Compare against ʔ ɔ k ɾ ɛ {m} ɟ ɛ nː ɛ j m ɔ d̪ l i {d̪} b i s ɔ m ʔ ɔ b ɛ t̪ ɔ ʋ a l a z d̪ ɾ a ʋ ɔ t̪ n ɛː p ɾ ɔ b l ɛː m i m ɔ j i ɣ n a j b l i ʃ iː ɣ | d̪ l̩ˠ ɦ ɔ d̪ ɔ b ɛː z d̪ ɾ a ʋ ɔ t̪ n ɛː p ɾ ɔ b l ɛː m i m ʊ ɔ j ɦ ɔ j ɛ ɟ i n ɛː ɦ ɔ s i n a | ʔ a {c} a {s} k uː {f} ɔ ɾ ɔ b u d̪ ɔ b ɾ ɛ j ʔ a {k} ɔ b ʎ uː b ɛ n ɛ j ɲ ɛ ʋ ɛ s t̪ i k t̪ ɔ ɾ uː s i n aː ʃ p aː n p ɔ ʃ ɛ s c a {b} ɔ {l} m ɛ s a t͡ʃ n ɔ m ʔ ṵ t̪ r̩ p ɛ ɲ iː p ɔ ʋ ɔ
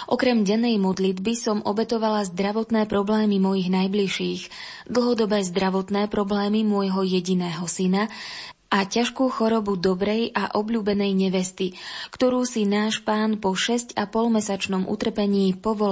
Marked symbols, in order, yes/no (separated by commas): yes, yes, yes, no, no, no, no, yes